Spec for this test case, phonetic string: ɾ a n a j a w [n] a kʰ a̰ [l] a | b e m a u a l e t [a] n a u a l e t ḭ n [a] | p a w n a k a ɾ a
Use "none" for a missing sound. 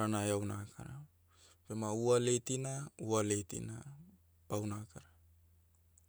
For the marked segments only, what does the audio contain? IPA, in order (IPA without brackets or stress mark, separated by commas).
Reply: n, ɾ, i, a